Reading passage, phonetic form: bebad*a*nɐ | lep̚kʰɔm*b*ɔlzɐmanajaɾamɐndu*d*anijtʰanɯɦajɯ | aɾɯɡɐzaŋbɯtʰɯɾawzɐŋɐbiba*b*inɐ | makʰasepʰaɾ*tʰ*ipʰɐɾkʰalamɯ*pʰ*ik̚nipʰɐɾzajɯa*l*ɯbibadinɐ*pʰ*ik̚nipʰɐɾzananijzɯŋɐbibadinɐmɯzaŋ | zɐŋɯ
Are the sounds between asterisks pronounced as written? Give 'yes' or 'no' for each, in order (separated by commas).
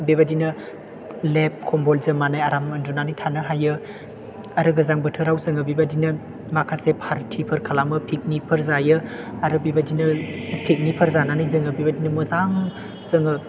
no, yes, no, no, yes, yes, no, yes